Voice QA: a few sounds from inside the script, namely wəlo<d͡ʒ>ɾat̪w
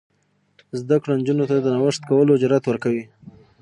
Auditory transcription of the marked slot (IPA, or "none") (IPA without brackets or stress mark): d͡ʒ